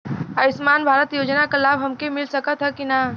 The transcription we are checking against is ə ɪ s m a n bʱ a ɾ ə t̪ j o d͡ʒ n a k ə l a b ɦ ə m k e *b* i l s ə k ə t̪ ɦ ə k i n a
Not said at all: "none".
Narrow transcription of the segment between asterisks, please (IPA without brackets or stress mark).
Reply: m